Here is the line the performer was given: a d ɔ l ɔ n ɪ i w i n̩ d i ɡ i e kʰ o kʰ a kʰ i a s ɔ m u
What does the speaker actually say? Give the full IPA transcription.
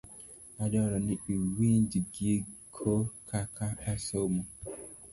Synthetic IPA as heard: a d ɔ ɾ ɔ n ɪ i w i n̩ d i ɡ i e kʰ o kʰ a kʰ a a s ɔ m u